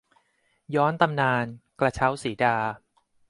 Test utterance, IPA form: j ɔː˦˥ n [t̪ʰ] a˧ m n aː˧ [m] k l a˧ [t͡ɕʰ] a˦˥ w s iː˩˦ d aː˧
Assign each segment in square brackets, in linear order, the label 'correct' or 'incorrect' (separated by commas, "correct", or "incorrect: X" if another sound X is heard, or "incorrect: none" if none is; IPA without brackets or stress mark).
incorrect: t̪, incorrect: n, correct